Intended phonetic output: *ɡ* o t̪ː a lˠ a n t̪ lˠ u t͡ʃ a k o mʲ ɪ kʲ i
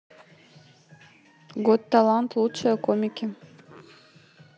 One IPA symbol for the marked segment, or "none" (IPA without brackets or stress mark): ɡ